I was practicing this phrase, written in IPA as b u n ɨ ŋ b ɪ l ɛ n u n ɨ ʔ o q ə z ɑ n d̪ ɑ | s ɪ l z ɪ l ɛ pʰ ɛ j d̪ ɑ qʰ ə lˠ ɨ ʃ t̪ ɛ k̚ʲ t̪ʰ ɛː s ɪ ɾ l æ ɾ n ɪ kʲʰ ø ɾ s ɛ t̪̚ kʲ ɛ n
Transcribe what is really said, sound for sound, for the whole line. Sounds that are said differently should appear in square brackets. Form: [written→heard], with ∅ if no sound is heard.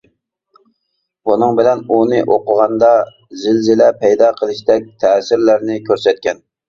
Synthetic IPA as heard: b u n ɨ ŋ b ɪ l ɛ n u n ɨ ʔ o q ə [z→ʁ] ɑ n d̪ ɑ | [s→z] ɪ l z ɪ l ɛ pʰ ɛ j d̪ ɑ qʰ ə lˠ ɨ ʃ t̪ ɛ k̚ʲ t̪ʰ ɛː s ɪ ɾ l æ ɾ n ɪ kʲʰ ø ɾ s ɛ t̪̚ kʲ ɛ n